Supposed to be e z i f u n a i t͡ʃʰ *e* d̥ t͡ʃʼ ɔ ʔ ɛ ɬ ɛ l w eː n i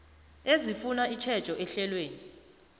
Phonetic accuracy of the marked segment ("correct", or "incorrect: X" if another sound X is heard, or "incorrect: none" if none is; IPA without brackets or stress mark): incorrect: ɛ